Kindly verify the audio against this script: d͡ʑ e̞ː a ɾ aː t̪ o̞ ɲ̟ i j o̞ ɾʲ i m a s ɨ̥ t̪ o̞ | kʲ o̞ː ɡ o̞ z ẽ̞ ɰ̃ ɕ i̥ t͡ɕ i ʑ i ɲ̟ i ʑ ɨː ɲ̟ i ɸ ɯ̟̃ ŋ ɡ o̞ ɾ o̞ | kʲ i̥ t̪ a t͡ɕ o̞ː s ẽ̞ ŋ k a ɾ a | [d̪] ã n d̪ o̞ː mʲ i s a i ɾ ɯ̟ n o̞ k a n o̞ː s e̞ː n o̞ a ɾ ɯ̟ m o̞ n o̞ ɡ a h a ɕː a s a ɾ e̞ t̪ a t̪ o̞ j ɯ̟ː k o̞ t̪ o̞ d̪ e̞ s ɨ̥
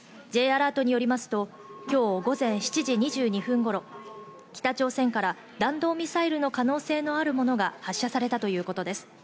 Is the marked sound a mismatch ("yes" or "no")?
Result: no